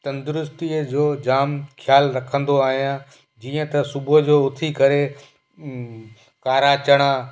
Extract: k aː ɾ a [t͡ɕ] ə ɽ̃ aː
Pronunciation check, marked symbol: correct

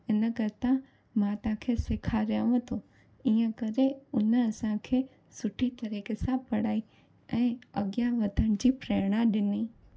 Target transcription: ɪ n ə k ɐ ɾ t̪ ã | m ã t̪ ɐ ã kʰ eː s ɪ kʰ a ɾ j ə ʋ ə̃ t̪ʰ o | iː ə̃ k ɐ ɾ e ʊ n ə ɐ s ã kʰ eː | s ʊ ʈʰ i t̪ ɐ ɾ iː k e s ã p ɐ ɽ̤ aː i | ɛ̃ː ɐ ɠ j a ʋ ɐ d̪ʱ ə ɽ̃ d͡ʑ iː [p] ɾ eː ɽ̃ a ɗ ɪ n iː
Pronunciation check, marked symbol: correct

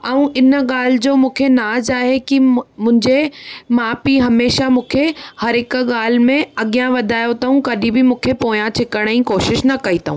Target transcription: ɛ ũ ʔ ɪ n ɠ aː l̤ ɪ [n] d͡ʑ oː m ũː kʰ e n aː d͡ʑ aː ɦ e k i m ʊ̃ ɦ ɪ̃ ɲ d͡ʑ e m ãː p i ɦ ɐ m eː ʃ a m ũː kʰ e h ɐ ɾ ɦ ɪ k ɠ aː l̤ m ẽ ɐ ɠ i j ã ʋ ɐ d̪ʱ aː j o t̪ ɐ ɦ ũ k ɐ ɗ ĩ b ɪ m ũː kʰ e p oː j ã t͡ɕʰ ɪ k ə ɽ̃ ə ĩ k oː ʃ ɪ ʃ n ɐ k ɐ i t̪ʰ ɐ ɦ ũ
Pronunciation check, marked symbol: incorrect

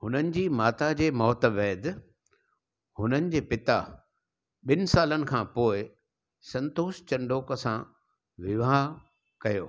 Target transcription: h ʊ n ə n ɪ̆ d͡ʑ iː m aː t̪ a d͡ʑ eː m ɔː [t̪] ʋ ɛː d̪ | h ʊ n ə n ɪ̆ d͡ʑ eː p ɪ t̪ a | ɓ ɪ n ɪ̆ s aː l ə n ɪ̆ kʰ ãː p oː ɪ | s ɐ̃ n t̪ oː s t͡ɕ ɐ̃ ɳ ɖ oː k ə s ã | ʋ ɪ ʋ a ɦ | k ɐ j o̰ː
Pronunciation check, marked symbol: correct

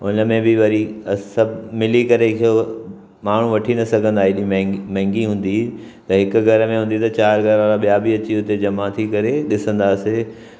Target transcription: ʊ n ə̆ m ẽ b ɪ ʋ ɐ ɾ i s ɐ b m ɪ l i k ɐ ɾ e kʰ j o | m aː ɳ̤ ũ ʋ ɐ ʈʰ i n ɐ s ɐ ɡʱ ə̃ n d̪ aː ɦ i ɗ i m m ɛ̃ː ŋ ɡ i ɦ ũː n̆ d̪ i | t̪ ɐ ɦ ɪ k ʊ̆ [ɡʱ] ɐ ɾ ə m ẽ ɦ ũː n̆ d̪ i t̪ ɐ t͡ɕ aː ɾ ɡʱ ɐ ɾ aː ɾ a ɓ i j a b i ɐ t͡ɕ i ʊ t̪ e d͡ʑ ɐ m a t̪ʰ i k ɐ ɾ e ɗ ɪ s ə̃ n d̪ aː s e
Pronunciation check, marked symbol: correct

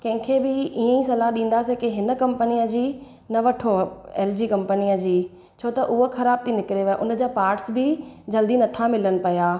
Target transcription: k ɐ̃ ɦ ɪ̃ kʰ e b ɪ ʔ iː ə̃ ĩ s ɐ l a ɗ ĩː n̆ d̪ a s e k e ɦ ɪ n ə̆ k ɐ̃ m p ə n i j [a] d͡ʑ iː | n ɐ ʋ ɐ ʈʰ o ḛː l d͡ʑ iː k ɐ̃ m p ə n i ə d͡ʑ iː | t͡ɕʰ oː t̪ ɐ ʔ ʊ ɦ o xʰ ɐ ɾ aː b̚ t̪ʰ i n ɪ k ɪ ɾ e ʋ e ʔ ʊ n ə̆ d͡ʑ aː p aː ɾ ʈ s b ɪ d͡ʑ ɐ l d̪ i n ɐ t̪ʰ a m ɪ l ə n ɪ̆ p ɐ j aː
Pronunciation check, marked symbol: incorrect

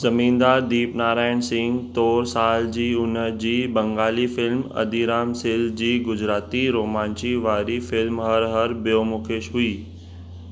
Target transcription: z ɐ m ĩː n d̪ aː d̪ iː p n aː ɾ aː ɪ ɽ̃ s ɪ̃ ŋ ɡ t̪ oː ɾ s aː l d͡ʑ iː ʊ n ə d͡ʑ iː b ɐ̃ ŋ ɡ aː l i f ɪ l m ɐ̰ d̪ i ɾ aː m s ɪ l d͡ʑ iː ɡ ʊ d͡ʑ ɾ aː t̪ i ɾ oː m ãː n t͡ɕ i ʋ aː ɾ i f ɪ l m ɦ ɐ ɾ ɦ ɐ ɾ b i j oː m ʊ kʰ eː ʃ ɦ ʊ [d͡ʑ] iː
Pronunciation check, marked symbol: incorrect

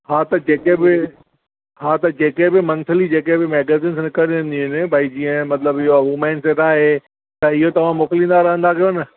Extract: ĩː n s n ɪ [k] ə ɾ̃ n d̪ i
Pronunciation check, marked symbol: correct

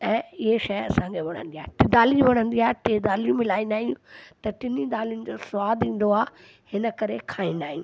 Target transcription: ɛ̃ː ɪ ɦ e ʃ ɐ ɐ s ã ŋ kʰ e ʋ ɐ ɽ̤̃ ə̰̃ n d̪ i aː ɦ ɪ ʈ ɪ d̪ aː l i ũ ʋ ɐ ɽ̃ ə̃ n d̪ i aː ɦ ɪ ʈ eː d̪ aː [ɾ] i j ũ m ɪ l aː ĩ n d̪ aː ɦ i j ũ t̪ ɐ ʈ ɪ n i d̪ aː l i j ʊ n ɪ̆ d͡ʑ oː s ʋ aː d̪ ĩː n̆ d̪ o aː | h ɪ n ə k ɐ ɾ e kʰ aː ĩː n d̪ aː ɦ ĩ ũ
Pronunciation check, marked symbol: incorrect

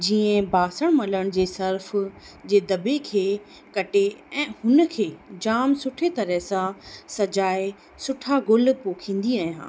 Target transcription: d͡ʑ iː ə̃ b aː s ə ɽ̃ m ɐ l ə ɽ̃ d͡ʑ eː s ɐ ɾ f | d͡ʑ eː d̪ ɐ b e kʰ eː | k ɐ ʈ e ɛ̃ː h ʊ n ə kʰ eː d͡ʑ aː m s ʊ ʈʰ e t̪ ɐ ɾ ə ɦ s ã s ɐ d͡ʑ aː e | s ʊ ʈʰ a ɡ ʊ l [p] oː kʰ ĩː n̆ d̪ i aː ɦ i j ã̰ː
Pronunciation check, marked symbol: correct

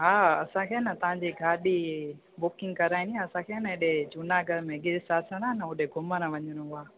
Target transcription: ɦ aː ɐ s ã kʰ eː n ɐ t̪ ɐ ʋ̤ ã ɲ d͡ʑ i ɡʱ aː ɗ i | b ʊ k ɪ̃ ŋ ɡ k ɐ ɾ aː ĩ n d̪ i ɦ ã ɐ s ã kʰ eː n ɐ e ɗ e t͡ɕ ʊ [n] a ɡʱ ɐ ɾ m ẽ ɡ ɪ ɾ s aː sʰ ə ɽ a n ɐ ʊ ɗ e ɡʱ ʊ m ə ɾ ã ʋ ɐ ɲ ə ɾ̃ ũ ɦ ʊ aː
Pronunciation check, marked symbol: correct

